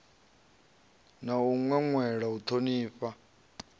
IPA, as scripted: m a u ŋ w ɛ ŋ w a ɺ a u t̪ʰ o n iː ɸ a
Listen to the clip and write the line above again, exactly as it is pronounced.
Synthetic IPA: n a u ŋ w ɛ ŋ w ɛ ɺ a u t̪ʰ o n iː ɸ a

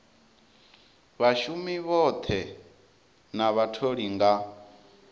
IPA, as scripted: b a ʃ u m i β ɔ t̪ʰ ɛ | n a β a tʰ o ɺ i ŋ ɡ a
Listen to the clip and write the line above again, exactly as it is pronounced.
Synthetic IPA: β a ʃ u m i β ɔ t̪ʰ ɛ | n a β a tʰ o ɺ i ŋ ɡ a

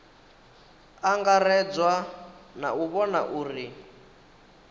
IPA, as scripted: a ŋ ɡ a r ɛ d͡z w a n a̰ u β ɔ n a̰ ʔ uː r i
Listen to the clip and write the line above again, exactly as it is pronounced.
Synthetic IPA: a ŋ ɡ a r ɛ d͡z w a n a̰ u β ɔ n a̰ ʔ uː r i

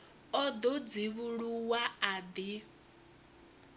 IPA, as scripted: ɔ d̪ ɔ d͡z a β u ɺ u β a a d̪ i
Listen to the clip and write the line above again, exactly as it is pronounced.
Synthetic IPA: ɔ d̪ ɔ d͡z i β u ɺ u w a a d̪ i

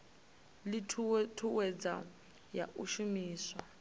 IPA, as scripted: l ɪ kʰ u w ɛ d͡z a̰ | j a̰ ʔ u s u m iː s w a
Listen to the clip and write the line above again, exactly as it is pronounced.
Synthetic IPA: l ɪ tʰ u w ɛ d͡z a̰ | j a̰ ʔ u ʃ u m iː s w a

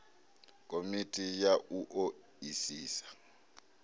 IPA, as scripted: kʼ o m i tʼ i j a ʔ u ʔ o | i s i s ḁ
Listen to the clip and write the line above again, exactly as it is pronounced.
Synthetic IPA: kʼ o m i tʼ i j a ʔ u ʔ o | i s iː s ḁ

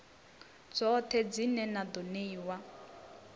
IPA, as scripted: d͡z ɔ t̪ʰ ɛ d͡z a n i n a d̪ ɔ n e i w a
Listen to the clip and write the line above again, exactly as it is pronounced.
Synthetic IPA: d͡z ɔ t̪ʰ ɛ d͡z i n ɛ n a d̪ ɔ n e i w a

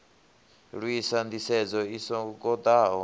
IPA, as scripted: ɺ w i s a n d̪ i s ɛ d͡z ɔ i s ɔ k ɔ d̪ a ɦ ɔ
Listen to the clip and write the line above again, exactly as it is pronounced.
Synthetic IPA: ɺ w i s a n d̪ i s ɛ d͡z ɔ i s ɔ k ɔ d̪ a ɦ ɔ

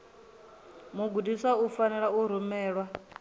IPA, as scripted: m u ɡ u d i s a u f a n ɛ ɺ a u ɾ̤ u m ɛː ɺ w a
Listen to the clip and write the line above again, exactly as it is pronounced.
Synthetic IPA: m u ɡ u d i s a u f a n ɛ ɺ a u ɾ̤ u m ɛː ɺ w a

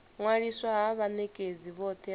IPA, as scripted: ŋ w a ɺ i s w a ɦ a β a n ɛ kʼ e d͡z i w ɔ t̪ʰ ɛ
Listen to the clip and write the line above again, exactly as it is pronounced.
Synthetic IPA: ŋ w a ɺ i s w a ɦ a β a n ɛ kʼ e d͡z i β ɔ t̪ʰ ɛ

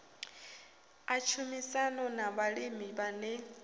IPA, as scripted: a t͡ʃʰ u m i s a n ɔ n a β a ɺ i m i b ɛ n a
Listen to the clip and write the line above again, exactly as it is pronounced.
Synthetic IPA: a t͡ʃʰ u m i s a n ɔ n a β a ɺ i m i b a n ɛ

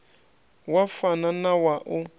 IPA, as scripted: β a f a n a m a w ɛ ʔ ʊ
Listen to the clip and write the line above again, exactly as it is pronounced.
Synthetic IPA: w a f a n a n a w a ʔ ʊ

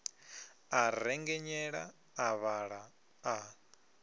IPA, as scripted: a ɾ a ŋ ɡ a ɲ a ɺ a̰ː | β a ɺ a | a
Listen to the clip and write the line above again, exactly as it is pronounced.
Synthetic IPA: a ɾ ɛ ŋ ɡ ɛ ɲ ɛ ɺ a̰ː | β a ɺ a | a

